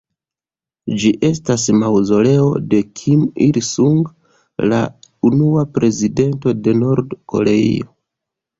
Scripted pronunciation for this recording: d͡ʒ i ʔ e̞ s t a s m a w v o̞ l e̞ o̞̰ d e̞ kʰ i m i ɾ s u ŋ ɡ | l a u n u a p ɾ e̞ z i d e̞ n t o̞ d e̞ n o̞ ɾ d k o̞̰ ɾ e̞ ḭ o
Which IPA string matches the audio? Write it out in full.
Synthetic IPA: d͡ʒ i ʔ e̞ s t a s m a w z o̞ l e̞ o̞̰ d e̞ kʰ i m i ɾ s u ŋ ɡ | l a u n u a p ɾ e̞ z i d e̞ n t o̞ d e̞ n o̞ ɾ d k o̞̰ ɾ e̞ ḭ o